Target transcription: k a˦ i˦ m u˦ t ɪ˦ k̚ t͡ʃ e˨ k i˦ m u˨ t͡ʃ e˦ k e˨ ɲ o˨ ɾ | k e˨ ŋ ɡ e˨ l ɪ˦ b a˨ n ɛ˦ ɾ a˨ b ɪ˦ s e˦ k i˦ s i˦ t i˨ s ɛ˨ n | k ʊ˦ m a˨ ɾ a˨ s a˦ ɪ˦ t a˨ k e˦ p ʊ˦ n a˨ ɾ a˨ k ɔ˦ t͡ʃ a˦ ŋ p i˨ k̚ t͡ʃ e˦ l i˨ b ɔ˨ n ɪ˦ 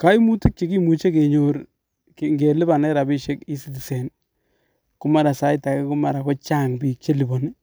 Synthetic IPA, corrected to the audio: k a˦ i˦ m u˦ t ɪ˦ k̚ t͡ʃ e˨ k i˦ m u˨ t͡ʃ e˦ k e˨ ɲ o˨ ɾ | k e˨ ŋ ɡ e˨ l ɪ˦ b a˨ n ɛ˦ ɾ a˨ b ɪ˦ ʃ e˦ k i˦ s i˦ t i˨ s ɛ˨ n | k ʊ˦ m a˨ ɾ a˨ s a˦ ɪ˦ t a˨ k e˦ k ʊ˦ m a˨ ɾ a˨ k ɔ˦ t͡ʃ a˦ ŋ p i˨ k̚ t͡ʃ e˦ l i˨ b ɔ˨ n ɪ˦